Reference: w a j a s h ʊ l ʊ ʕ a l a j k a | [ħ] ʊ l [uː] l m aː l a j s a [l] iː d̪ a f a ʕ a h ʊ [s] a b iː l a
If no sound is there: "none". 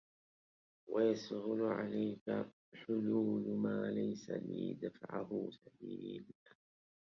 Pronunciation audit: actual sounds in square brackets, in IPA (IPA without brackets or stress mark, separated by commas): ħ, uː, l, s